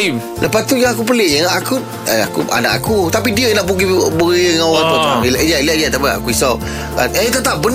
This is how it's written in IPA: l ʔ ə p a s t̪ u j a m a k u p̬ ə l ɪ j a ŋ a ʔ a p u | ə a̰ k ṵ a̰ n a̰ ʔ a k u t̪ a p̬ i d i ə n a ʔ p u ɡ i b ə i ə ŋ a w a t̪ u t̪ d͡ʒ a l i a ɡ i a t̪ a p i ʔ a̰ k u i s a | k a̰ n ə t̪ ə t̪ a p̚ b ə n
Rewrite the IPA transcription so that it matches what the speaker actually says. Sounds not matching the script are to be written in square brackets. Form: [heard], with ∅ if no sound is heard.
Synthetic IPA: l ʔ ə p a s t̪ u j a [ŋ] a k u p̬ ə l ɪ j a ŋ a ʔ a [k] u | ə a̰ k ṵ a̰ n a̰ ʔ a k u t̪ a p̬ i d i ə n a ʔ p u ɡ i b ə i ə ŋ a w a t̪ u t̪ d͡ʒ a l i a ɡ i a t̪ a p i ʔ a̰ k u i s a | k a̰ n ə t̪ ə t̪ a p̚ b ə n